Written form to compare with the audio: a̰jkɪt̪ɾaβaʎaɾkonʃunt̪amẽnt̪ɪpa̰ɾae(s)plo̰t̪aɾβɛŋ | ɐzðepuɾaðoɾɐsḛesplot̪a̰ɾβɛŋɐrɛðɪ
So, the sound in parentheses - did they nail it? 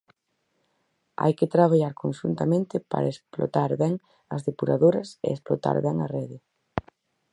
yes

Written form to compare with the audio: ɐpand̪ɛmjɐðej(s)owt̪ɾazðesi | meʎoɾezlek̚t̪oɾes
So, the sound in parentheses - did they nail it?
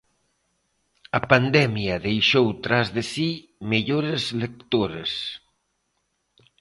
no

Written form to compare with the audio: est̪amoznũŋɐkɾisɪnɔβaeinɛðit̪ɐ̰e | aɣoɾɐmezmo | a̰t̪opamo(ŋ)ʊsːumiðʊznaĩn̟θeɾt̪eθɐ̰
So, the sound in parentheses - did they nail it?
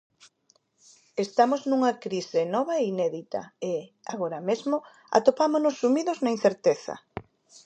no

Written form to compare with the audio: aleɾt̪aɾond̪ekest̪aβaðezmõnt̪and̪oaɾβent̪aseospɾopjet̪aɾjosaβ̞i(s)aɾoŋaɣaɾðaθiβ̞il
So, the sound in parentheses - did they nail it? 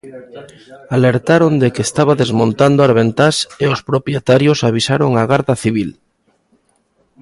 yes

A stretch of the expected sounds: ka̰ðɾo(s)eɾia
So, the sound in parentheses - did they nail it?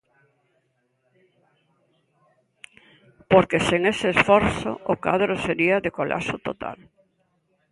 yes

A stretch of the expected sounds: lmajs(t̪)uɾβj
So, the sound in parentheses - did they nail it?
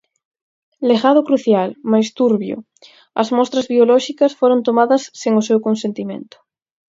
yes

